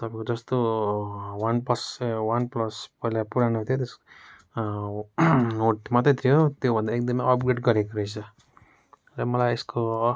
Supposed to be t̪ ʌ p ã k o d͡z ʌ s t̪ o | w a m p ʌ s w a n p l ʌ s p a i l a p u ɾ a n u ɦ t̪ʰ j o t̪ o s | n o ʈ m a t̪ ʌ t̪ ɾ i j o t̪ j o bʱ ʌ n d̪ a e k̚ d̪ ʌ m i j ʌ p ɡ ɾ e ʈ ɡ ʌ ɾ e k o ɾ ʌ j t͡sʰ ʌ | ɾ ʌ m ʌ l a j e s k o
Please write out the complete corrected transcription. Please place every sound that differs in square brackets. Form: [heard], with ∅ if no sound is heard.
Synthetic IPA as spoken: t̪ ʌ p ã k o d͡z ʌ s t̪ o | w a [n] p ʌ s w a n p l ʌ s p [ʌ] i l a p u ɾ a n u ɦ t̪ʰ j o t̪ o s | n o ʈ m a t̪ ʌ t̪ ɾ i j o t̪ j o bʱ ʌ n d̪ a e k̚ d̪ ʌ m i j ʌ p ɡ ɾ e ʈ ɡ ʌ ɾ e k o ɾ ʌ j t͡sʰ ʌ | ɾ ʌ m ʌ l a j e s k o